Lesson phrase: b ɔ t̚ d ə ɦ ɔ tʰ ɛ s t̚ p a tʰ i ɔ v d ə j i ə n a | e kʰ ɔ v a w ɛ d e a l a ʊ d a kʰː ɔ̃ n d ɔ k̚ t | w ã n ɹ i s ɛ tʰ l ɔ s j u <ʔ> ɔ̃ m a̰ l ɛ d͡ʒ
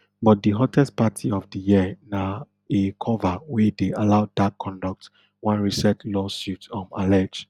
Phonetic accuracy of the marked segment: incorrect: t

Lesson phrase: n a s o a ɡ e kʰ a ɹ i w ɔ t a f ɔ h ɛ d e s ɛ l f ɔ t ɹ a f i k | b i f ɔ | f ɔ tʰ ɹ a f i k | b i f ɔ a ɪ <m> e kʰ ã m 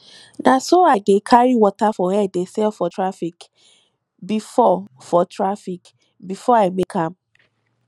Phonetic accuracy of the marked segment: correct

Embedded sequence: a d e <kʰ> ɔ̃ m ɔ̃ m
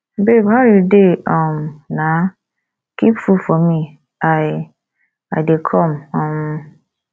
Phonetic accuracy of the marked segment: correct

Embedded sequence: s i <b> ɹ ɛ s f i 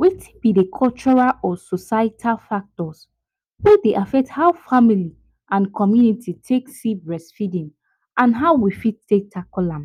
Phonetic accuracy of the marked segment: correct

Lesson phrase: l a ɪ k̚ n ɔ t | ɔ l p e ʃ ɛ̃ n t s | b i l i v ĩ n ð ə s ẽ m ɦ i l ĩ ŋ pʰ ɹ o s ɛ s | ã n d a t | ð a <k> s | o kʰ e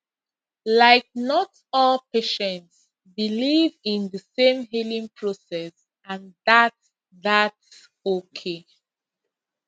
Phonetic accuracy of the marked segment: incorrect: t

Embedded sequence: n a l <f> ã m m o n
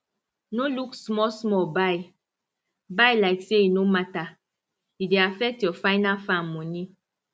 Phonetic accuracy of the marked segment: correct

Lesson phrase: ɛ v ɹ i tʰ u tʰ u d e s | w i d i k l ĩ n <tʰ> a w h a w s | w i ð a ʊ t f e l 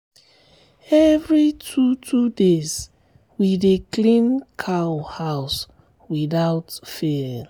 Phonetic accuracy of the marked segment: incorrect: kʰ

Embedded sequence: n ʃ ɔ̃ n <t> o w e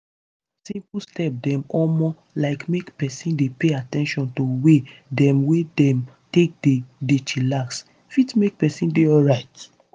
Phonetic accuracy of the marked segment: correct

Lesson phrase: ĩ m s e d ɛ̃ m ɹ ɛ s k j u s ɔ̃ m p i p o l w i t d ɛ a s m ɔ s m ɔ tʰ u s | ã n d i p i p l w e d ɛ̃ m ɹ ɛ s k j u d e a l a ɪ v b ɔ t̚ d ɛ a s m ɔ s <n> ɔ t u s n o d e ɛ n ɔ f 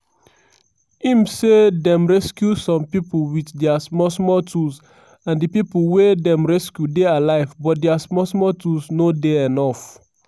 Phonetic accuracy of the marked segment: incorrect: m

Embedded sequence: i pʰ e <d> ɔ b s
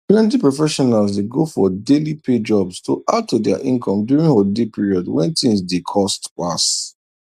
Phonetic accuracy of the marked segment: incorrect: d͡ʒ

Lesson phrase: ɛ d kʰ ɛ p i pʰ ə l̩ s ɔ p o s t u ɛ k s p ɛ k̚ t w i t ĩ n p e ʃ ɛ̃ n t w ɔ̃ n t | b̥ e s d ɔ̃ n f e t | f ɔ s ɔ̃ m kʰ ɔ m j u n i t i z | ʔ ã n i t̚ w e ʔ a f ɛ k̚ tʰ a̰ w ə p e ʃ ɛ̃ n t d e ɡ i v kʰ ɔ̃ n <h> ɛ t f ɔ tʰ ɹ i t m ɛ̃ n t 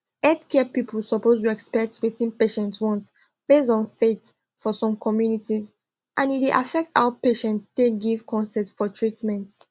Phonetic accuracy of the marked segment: incorrect: s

